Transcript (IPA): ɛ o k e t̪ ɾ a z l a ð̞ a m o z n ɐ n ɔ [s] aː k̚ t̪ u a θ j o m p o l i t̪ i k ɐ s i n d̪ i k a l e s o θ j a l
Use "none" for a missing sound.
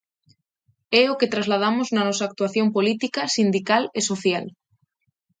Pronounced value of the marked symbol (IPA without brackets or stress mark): s